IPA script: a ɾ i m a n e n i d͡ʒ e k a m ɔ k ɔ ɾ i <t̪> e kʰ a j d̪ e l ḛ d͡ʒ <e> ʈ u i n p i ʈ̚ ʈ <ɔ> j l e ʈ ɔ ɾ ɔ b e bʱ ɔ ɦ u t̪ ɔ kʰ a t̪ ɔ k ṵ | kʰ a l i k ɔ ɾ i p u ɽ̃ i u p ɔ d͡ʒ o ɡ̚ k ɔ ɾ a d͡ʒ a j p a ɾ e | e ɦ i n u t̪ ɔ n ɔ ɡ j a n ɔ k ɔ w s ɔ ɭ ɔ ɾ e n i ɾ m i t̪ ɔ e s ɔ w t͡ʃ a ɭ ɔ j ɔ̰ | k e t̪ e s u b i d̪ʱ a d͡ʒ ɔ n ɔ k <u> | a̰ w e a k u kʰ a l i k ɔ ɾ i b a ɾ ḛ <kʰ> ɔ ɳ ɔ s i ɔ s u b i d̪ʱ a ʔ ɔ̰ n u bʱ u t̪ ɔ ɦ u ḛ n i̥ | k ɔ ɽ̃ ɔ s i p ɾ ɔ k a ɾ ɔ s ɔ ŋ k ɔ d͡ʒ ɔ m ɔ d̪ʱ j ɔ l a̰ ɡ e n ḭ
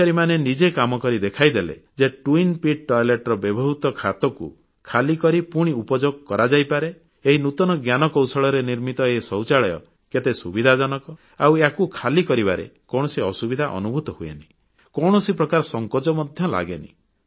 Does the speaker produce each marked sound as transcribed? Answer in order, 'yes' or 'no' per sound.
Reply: no, yes, yes, no, no

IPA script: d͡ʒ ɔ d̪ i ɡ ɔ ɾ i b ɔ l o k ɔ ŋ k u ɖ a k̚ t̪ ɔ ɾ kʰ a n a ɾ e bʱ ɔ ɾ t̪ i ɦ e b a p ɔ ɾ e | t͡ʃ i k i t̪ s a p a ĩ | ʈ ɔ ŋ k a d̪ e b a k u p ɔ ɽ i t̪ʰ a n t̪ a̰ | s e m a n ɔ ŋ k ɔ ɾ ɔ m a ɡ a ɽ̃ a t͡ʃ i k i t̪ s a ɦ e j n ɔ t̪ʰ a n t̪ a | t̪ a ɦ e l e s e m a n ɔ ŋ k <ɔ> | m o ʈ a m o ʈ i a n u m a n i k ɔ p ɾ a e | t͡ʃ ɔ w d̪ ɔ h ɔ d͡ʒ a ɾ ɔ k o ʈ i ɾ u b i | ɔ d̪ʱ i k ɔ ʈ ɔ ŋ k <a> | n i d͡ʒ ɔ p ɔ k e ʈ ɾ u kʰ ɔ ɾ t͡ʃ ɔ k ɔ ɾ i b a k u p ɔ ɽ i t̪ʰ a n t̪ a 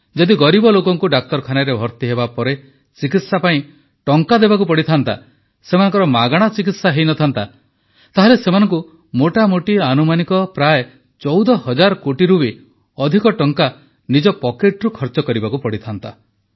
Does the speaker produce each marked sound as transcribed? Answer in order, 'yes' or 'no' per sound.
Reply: no, yes

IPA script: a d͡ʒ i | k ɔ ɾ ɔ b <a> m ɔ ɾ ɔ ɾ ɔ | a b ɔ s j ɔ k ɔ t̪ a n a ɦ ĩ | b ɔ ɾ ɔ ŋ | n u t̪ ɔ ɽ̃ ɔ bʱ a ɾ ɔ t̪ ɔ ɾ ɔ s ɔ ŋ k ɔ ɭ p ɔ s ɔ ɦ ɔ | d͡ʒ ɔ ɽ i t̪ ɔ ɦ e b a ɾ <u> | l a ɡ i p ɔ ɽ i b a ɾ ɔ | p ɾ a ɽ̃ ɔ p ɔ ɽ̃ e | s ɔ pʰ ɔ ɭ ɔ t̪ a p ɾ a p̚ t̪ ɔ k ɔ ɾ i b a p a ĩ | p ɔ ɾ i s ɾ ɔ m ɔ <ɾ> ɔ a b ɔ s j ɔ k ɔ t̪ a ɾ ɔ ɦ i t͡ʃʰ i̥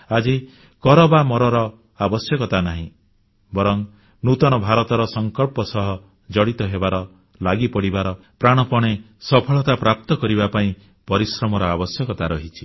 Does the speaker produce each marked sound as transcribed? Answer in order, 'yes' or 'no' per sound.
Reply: yes, no, yes

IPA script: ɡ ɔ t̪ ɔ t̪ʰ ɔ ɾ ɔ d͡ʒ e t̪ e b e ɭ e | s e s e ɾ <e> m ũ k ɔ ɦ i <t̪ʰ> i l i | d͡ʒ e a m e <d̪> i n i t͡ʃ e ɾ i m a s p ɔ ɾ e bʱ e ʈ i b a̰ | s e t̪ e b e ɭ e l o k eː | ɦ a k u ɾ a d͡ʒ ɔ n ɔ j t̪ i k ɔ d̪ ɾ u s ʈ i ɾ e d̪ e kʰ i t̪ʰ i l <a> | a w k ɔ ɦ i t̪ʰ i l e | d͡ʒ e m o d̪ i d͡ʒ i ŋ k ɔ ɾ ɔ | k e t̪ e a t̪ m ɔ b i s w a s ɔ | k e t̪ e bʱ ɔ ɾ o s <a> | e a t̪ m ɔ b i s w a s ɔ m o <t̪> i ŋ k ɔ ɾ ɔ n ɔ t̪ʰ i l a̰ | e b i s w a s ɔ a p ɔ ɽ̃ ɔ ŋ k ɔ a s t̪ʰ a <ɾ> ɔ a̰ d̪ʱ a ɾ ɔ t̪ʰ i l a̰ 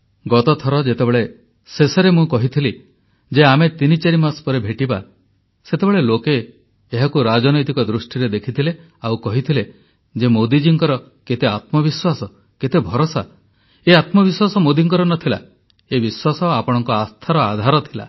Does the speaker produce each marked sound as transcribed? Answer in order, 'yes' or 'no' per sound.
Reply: yes, yes, no, no, yes, no, yes

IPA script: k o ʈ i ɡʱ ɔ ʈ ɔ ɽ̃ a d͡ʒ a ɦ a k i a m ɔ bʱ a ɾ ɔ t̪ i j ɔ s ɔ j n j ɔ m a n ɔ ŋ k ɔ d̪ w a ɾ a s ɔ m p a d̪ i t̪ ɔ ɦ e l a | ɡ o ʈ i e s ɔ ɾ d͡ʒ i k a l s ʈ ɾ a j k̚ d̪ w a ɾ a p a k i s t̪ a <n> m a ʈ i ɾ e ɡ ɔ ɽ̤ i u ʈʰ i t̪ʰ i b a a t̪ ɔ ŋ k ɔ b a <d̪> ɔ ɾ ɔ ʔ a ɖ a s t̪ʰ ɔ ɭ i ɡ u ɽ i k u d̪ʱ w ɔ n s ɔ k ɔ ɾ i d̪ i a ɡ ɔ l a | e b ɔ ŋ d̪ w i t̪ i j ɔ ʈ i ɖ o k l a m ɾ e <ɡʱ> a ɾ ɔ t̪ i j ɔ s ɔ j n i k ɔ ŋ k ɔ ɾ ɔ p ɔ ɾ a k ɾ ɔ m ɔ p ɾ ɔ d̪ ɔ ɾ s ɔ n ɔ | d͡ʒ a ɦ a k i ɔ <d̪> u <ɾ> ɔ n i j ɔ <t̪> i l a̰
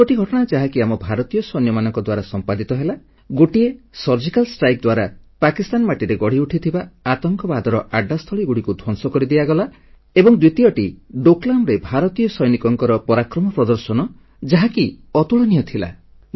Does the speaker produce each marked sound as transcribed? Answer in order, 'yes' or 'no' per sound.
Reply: yes, yes, no, no, no, no

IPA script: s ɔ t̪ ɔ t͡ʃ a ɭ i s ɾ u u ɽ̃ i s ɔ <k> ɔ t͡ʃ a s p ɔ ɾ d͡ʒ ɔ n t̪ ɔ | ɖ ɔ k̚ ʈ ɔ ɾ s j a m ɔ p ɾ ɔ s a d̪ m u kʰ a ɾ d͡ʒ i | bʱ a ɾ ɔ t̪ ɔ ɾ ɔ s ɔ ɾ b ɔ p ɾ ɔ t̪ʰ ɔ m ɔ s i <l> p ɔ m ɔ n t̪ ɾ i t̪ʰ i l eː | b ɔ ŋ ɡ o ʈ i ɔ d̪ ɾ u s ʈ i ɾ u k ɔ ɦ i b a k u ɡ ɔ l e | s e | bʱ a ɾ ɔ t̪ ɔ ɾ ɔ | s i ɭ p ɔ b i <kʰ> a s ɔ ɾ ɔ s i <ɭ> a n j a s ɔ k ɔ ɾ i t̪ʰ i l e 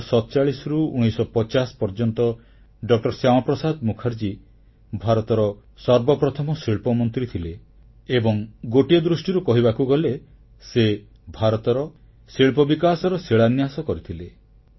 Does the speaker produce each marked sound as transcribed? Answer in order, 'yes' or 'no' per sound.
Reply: no, no, no, yes

